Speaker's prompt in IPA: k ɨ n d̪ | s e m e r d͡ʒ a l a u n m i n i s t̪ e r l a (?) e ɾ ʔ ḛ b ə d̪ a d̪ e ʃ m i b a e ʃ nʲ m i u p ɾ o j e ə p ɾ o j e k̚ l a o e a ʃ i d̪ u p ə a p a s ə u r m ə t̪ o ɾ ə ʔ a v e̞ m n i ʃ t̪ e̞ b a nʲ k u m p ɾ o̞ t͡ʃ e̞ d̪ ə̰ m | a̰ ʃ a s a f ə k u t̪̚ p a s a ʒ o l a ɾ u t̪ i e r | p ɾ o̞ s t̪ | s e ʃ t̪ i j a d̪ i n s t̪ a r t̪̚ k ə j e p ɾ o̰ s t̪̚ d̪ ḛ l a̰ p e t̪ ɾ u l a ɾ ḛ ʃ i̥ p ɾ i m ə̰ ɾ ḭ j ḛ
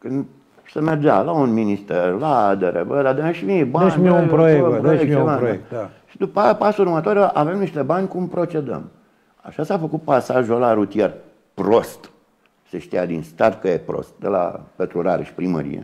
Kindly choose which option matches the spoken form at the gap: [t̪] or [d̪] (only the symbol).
d̪